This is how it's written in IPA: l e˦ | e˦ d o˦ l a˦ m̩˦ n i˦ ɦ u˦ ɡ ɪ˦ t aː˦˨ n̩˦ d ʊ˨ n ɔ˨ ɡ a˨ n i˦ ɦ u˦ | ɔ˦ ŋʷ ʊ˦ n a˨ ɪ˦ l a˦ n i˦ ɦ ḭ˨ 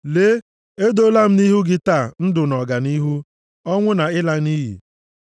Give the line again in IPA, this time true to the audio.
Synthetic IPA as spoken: l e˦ | e˦ d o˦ l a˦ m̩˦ n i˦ ɦ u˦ ɡ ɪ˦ t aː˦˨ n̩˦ d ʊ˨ n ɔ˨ ɡ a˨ n i˦ ɦ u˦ | ɔ˦ ŋʷ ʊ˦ n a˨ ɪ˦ l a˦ n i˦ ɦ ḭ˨